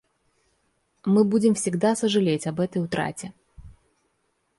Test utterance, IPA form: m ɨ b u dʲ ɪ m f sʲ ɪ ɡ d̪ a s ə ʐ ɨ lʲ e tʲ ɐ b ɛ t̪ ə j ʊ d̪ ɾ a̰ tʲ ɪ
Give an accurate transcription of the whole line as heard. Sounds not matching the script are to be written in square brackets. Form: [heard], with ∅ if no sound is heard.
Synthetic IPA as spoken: m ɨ b u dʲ ɪ m f sʲ ɪ ɡ d̪ a s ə ʐ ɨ lʲ e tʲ ɐ b ɛ t̪ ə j ʊ [t̪] ɾ a̰ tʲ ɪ